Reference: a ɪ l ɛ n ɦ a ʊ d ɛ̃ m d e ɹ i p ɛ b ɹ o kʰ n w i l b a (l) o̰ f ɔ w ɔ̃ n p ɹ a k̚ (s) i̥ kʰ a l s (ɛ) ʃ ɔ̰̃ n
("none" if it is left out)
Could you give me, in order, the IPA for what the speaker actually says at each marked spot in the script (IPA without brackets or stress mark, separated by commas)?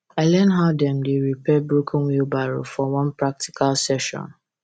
ɹ, t, ɛ